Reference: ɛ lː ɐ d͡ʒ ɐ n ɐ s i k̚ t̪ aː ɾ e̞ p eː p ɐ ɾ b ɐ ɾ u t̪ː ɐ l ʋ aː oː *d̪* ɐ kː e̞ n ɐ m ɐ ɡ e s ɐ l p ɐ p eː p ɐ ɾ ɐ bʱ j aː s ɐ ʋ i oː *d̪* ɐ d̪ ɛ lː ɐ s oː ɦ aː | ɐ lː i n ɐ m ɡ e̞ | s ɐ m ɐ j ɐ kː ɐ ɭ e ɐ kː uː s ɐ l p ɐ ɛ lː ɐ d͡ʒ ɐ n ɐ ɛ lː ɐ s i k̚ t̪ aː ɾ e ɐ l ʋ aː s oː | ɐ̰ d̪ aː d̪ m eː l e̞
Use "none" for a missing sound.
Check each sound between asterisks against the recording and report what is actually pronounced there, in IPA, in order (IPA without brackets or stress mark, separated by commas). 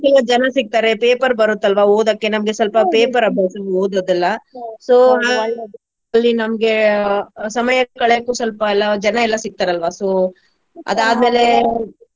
d̪, d̪